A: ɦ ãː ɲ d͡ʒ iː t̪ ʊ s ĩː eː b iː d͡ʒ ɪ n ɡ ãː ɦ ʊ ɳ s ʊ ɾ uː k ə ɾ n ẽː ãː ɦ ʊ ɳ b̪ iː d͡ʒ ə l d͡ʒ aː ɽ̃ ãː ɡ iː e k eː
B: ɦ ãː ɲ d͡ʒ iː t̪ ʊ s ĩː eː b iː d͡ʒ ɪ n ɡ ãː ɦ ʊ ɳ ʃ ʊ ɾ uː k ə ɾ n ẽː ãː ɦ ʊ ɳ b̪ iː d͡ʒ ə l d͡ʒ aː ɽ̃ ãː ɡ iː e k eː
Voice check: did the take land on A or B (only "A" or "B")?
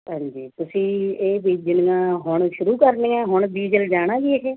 B